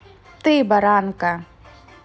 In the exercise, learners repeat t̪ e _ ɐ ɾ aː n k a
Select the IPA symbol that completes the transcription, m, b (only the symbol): b